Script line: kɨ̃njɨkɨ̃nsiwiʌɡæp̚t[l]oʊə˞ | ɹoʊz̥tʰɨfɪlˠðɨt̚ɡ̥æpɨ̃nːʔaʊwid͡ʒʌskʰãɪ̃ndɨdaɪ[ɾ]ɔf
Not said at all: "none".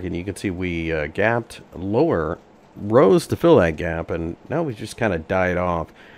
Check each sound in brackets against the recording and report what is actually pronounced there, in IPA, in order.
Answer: l, ɾ

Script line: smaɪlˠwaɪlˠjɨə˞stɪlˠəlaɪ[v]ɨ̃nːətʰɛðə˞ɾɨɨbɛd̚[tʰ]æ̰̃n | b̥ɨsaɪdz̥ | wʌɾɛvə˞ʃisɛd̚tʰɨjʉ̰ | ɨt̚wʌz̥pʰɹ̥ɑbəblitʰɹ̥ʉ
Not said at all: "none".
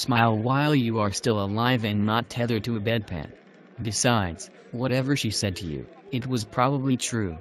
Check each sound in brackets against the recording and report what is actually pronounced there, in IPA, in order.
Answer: v, pʰ

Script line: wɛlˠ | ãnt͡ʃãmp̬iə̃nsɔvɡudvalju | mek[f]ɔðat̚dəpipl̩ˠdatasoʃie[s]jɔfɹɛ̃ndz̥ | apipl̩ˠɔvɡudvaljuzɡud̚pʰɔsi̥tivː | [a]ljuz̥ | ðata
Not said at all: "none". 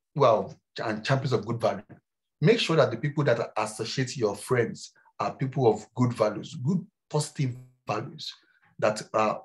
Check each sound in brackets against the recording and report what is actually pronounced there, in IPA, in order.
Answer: ʃ, t, a

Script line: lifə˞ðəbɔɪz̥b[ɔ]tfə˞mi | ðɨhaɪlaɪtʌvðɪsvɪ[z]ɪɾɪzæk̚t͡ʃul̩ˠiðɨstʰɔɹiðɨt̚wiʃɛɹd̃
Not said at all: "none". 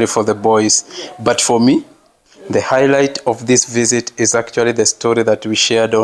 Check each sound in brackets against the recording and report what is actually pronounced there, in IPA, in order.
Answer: ʌ, z

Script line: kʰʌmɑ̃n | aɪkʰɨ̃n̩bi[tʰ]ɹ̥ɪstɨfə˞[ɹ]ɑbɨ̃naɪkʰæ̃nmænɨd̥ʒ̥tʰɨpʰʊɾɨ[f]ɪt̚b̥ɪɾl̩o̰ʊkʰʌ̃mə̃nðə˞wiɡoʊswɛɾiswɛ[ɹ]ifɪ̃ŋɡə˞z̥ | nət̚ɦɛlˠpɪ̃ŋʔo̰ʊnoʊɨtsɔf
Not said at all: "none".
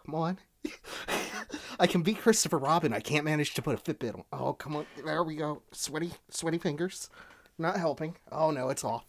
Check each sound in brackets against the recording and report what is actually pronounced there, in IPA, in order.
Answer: kʰ, ɹ, f, ɾ

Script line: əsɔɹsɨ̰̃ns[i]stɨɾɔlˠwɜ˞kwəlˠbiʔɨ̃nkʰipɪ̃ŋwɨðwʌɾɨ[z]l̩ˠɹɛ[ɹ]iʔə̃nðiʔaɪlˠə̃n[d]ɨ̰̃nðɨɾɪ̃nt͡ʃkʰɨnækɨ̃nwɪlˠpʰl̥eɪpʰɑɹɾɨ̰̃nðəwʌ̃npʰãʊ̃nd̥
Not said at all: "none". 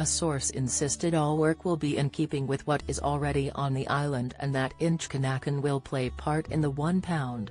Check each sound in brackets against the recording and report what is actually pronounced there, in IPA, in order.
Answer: ɪ, z, ɾ, d

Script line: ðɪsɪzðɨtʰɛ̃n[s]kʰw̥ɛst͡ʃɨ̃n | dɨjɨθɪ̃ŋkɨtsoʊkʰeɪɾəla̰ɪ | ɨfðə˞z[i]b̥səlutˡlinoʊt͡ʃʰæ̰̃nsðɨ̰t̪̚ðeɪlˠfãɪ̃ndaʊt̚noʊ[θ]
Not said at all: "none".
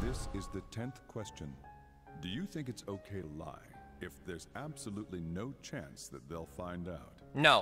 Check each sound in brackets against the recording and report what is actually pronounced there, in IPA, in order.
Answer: θ, æ, none

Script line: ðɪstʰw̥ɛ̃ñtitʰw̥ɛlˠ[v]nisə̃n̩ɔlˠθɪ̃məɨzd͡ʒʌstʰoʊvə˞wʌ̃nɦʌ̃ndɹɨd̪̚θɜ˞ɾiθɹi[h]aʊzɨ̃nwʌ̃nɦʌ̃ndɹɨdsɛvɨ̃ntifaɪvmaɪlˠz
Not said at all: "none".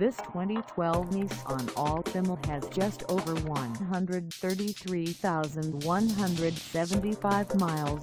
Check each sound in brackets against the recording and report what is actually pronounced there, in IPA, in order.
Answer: v, θ

